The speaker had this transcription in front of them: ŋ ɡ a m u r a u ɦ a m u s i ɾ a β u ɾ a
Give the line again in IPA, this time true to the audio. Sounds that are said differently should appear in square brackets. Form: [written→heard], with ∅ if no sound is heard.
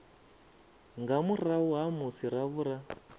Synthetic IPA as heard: ŋ ɡ a m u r a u ɦ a m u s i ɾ a β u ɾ a